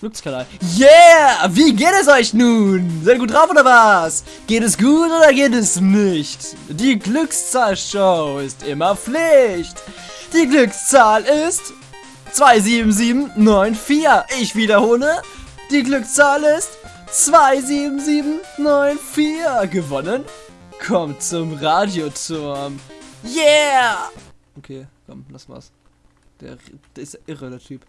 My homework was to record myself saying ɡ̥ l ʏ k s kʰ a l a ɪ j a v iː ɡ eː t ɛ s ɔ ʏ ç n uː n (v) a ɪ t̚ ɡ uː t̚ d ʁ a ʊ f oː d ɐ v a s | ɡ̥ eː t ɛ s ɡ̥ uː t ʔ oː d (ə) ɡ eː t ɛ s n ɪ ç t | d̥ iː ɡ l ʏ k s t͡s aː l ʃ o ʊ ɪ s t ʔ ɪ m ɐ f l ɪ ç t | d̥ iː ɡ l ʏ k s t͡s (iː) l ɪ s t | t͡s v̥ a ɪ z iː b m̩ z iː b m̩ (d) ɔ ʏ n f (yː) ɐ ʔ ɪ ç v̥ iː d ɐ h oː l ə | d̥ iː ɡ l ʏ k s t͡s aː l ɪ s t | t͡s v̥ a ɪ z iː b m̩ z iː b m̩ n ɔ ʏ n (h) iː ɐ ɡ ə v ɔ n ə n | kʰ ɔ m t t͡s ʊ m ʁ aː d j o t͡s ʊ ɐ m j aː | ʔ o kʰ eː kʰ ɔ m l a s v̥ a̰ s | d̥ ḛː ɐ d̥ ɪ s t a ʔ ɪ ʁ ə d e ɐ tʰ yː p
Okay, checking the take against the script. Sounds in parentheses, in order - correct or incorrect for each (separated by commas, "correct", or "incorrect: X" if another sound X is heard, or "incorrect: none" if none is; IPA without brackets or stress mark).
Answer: incorrect: z, incorrect: ɐ, incorrect: aː, incorrect: n, incorrect: iː, incorrect: f